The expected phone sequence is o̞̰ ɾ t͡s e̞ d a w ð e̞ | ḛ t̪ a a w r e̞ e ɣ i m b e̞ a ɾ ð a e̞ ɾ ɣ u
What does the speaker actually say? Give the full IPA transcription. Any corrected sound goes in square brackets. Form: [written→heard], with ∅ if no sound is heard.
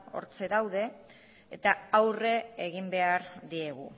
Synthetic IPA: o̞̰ ɾ t͡s e̞ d a w ð e̞ | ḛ t̪ a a w r e̞ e ɣ i m b e̞ a ɾ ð [a→i] e̞ [ɾ→∅] ɣ u